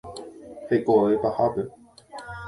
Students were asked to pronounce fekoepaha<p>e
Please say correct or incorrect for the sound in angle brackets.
correct